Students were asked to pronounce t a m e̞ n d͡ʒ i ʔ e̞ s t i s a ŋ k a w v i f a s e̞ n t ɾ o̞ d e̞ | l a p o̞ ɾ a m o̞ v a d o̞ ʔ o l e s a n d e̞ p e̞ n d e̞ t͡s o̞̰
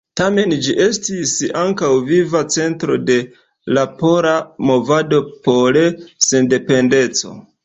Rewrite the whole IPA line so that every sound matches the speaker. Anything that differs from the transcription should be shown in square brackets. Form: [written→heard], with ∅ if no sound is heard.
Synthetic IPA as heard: t a m e̞ n d͡ʒ i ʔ e̞ s t i s a ŋ k a w v i [f→v] a [s→t͡s] e̞ n t ɾ o̞ d e̞ | l a p o̞ ɾ a m o̞ v a d o̞ [ʔ→p] o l e s [a→e] n d e̞ p e̞ n d e̞ t͡s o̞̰